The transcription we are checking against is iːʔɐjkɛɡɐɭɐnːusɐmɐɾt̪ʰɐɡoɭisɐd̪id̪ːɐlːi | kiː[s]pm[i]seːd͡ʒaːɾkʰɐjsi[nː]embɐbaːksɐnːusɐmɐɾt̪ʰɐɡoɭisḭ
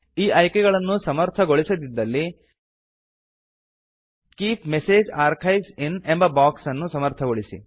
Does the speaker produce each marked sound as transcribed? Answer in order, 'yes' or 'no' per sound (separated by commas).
no, no, no